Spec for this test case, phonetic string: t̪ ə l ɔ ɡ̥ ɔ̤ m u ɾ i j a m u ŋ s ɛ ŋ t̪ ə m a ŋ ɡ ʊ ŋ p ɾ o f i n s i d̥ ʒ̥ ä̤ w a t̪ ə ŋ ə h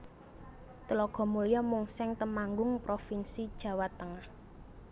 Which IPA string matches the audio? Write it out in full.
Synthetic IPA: t̪ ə l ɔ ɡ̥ ɔ̤ m u l i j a m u ŋ s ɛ ŋ t̪ ə m a ŋ ɡ ʊ ŋ p ɾ o f i n s i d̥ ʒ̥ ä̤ w a t̪ ə ŋ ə h